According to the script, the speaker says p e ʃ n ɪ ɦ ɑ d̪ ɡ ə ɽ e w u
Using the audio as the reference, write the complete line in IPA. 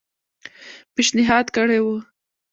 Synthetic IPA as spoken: p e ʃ n ɪ ɦ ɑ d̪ k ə ɽ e w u